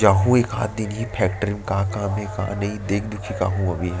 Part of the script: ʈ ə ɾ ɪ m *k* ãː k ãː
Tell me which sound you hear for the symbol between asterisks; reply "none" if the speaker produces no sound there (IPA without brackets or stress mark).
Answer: k